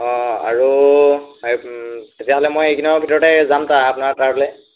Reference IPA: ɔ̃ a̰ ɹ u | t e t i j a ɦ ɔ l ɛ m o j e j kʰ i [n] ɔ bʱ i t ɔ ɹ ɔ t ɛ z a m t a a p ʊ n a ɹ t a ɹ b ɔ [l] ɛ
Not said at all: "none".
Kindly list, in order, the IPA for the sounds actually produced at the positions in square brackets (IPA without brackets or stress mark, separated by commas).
n, l